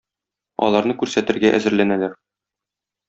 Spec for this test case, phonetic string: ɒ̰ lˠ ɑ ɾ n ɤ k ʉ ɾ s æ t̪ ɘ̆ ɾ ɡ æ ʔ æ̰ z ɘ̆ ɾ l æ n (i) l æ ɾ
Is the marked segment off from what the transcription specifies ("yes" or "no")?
yes